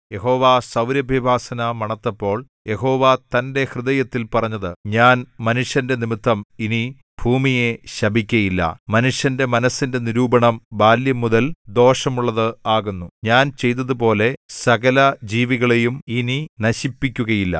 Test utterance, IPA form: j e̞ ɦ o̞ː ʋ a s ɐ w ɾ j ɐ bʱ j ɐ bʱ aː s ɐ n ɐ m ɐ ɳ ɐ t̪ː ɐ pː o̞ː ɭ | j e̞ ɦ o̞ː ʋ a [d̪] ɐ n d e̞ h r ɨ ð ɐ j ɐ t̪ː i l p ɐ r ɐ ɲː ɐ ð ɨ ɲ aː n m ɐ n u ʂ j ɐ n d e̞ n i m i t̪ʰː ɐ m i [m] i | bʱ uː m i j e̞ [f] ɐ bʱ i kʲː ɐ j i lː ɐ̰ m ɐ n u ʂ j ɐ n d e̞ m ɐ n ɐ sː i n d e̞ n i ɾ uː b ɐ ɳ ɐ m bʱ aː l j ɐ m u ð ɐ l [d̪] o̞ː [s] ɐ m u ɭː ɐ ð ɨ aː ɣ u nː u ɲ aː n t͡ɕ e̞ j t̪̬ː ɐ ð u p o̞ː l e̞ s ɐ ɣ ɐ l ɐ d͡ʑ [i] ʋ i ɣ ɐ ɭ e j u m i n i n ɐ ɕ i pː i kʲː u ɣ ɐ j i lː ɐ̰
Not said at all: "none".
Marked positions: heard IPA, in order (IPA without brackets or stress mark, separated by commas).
t̪, n, ɕ, d̪, ʂ, iː